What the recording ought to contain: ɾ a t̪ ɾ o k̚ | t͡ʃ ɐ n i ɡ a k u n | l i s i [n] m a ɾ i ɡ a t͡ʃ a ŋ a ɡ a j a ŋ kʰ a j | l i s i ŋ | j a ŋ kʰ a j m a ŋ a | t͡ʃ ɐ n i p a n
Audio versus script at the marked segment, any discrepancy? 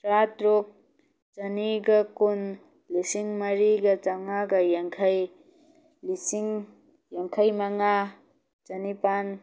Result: yes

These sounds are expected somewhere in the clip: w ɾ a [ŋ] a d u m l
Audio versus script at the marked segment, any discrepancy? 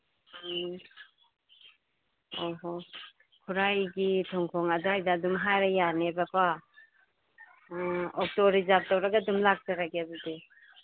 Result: yes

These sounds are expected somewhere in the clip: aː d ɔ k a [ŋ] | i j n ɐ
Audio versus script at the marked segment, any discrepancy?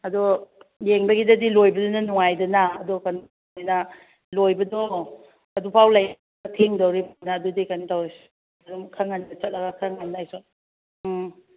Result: yes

